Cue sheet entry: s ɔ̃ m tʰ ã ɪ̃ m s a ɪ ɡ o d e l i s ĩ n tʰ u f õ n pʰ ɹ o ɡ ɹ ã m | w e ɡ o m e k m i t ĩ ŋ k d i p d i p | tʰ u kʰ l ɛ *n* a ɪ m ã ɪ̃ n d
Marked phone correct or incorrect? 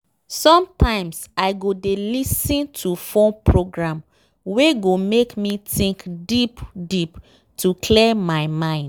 incorrect